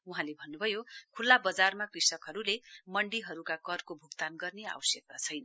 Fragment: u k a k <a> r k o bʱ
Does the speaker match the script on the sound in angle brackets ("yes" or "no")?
no